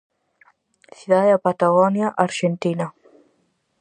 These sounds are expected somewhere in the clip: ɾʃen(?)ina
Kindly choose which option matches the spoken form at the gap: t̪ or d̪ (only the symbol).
t̪